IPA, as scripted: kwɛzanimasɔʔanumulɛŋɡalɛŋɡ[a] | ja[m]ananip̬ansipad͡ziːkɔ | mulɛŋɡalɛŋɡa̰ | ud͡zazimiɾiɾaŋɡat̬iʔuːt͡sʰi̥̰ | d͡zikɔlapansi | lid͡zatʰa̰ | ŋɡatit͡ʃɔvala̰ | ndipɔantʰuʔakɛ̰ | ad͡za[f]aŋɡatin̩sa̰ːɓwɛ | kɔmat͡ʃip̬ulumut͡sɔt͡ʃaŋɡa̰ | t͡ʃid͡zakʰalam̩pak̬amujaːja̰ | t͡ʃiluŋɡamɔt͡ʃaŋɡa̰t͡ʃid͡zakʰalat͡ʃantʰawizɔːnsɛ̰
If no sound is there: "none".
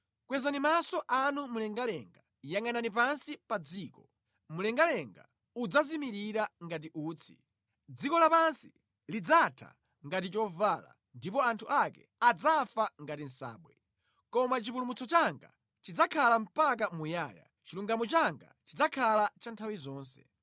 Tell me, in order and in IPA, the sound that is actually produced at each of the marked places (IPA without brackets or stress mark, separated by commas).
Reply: a, ŋ, f